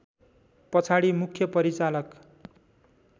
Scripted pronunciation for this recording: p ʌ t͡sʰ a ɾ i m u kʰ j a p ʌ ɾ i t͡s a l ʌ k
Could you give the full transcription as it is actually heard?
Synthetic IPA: p ʌ t͡sʰ a ɽ i m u kʰ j ʌ p ʌ ɾ i t͡s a l ʌ k